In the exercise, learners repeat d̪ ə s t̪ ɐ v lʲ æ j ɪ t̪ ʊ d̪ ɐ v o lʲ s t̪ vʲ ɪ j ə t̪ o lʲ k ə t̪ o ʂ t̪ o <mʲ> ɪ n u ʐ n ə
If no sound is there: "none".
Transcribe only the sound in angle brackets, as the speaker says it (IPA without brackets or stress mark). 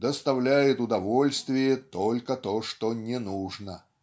nʲ